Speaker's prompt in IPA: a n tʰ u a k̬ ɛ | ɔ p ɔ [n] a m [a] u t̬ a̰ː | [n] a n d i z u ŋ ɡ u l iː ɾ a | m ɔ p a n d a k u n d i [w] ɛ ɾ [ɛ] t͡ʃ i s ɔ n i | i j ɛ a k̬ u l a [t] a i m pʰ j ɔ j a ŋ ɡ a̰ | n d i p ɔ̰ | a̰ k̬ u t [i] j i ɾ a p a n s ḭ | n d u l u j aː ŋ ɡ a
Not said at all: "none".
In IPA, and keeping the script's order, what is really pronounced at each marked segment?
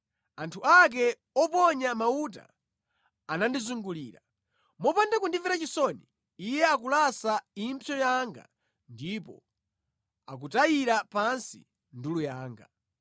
ɲ, a, n, v, a, s, a

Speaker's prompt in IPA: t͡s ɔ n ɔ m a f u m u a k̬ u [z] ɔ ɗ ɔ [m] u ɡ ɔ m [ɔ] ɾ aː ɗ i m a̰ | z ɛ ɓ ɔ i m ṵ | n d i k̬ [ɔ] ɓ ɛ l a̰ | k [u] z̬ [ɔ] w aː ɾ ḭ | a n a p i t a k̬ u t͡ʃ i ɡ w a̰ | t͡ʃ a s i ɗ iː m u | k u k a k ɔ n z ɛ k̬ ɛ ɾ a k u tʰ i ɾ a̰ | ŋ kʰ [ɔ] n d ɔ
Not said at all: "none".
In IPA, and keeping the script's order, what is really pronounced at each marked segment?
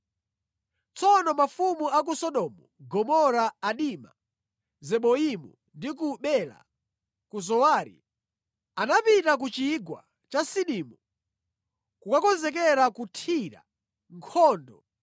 s, m, ɔ, u, u, ɔ, ɔː

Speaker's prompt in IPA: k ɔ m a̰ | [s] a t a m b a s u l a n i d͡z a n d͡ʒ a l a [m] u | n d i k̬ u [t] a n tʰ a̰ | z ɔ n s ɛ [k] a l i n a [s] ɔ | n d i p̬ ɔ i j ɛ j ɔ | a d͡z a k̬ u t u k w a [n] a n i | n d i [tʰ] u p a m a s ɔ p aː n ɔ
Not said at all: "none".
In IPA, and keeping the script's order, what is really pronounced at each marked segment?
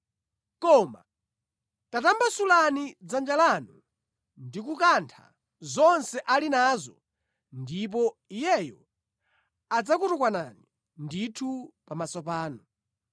t, n, k, ʔ, z, n, tʰ

